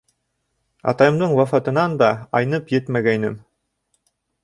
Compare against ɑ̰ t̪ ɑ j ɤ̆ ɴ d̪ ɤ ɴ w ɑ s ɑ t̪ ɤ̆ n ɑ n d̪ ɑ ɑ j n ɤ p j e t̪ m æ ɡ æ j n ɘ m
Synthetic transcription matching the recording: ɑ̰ t̪ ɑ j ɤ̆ m d̪ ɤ ɴ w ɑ f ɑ t̪ ɤ̆ n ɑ n d̪ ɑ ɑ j n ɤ p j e t̪ m æ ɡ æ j n ɘ m